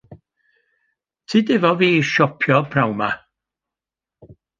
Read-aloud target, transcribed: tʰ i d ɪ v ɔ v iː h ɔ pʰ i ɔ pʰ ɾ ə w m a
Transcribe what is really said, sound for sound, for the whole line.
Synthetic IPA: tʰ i d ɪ v ɔ v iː ʃ ɔ pʰ j ɔ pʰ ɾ a w m a